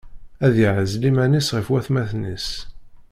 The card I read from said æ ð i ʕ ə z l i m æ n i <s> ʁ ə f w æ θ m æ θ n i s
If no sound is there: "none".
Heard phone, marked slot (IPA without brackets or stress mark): s